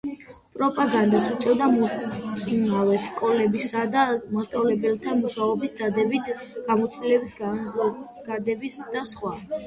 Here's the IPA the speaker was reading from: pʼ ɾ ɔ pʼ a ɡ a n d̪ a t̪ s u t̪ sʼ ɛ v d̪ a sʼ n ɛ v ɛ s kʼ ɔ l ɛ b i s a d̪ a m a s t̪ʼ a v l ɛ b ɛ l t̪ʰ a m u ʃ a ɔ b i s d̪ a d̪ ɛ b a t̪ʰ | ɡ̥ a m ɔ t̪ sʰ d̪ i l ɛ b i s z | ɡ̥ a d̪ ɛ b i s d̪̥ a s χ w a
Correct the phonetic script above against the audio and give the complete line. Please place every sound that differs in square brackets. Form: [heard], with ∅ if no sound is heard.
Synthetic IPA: pʼ ɾ ɔ pʼ a ɡ a n d̪ a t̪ s u t̪ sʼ ɛ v d̪ a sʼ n [a] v ɛ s kʼ ɔ l ɛ b i s a d̪ a m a s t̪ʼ a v l ɛ b ɛ l t̪ʰ a m u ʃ a ɔ b i s d̪ a d̪ ɛ b [i] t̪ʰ | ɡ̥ a m ɔ t̪ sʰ d̪ i l ɛ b i s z | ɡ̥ a d̪ ɛ b i s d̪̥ a s χ w a